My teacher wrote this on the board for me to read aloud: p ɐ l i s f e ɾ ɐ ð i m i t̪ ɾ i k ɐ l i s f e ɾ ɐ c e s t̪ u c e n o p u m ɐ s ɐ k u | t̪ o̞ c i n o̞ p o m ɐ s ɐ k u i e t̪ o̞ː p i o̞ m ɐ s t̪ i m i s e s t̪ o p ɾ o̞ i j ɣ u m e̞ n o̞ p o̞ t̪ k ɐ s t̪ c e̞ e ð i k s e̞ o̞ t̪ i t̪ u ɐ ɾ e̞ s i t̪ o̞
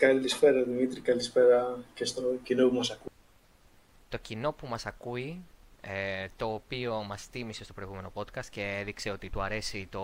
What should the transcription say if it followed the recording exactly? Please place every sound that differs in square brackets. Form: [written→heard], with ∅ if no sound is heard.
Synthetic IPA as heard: [p→k] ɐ l i s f e ɾ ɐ ð i m i t̪ ɾ i k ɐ l i s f e ɾ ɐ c e s t̪ [u→o] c [e→i] n o p u m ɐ s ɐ k u | t̪ o̞ c i n o̞ p [o→u] m ɐ s ɐ k u i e t̪ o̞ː p i o̞ m ɐ s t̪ i m i s e s t̪ o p ɾ o̞ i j ɣ u m e̞ n o̞ p o̞ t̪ k ɐ s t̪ c e̞ e ð i k s e̞ o̞ t̪ i t̪ u ɐ ɾ e̞ s i t̪ o̞